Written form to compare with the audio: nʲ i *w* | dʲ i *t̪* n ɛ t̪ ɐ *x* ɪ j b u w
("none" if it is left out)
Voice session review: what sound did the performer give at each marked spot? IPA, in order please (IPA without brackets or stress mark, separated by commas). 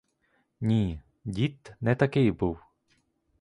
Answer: none, t̪, k